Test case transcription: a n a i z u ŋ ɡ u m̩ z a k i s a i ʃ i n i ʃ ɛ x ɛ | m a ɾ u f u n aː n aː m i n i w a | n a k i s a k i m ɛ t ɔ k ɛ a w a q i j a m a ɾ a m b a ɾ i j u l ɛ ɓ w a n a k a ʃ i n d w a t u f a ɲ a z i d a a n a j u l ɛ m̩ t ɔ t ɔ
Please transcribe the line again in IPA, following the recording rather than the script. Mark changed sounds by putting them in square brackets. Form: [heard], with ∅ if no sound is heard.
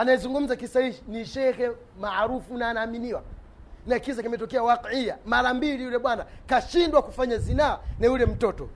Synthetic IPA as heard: a n a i z u ŋ ɡ u m̩ z a k i s a i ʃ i n i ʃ ɛ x ɛ | m a ɾ u f u n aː n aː m i n i w a | n a k i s a k i m ɛ t ɔ k ɛ a w a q i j a m a ɾ a m b [i] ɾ i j u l ɛ ɓ w a n a k a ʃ i n d w a [k] u f a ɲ a z i [n] a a n a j u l ɛ m̩ t ɔ t ɔ